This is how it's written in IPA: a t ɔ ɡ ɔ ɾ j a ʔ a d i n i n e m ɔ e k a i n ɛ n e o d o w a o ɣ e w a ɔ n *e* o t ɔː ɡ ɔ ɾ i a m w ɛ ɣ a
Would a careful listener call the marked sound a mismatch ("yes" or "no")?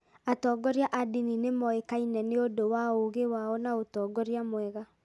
yes